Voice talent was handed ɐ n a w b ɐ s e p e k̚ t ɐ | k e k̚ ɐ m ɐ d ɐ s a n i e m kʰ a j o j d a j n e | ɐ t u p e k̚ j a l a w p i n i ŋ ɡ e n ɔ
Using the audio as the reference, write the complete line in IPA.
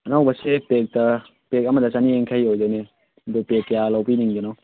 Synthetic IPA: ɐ n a w b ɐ s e p e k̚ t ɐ | p e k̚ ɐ m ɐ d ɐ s a n i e ŋ kʰ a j o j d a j n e | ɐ d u p e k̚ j a l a w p i n i ŋ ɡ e n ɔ